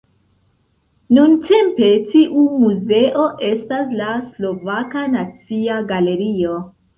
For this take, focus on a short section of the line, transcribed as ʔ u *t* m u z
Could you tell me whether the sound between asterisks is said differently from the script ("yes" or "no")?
yes